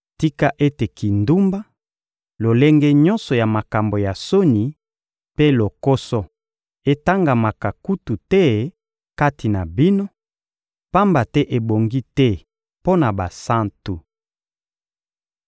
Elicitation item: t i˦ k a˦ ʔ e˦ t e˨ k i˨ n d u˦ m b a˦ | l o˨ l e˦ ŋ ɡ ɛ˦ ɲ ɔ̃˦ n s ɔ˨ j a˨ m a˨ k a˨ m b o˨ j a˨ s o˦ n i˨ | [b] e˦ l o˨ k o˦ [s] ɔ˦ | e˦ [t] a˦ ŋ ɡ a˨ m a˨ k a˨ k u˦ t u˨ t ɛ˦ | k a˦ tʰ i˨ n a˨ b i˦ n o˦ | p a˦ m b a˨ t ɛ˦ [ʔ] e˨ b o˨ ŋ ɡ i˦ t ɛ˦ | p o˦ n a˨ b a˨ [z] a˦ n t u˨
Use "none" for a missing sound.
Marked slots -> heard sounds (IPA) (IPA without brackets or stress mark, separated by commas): p, s, t, ʔ, s